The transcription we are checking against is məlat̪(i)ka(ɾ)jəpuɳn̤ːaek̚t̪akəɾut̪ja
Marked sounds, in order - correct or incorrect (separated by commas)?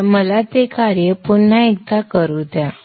incorrect, correct